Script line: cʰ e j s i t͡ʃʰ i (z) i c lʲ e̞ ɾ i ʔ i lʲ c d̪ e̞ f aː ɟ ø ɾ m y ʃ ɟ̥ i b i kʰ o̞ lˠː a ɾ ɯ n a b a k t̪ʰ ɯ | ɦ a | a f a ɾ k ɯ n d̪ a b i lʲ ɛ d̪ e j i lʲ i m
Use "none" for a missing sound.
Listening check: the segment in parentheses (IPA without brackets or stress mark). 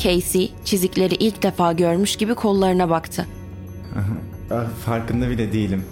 z